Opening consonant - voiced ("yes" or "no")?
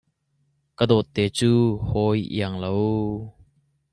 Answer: no